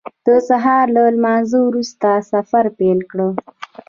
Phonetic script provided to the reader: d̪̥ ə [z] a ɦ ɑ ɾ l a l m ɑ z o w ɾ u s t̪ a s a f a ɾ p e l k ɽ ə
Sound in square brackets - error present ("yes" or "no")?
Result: yes